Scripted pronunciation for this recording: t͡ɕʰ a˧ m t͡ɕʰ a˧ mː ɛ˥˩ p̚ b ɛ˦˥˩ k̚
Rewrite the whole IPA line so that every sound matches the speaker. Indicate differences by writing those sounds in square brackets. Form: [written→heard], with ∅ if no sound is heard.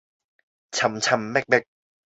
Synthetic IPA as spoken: t͡ɕʰ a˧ m t͡ɕʰ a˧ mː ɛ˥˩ [p̚→k̚] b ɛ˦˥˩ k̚